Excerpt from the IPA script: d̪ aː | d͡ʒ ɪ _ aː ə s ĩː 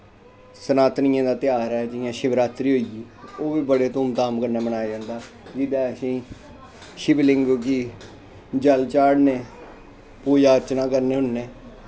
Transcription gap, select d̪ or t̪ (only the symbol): d̪